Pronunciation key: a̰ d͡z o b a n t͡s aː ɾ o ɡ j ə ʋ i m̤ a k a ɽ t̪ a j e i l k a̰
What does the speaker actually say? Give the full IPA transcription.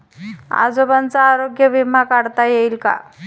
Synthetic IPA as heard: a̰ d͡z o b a n t͡s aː ɾ o ɡ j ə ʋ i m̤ a k a ɽ t̪ a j e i l k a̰